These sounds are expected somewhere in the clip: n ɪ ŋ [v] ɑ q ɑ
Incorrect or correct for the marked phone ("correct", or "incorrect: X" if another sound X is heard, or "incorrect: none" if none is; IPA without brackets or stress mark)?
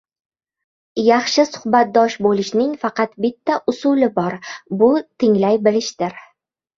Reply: incorrect: f